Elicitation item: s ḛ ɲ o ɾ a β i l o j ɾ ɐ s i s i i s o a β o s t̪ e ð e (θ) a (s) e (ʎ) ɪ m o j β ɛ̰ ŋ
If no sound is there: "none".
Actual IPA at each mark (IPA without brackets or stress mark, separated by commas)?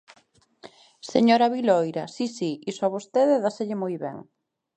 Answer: ð, s, ʎ